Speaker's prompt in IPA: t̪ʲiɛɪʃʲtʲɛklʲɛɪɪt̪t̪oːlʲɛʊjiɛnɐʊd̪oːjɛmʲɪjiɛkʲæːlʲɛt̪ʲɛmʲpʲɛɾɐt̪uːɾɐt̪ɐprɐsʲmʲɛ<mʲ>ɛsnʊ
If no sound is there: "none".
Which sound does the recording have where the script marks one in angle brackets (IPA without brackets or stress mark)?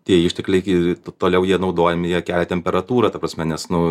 nʲ